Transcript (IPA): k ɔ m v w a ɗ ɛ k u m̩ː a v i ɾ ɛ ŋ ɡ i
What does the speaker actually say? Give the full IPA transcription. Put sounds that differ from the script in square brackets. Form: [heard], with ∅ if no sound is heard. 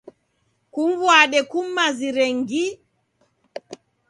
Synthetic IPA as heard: k [u] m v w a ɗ ɛ k u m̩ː a [z] i ɾ ɛ ŋ ɡ i